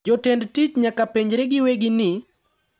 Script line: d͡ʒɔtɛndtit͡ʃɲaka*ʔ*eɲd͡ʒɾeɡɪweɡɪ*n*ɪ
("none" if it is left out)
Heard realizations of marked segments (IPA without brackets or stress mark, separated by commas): p, n